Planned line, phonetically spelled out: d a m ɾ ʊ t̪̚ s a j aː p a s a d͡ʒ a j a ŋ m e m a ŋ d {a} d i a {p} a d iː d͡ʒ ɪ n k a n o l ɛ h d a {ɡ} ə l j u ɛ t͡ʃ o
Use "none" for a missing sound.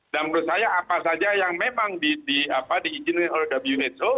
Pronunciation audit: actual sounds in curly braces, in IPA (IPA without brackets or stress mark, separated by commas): i, p, b